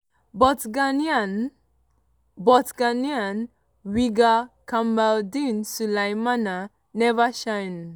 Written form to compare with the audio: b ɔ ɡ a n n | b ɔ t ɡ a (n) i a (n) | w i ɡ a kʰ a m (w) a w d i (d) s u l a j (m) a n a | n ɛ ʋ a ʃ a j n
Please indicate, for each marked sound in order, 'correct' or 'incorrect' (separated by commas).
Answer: correct, correct, incorrect, incorrect, correct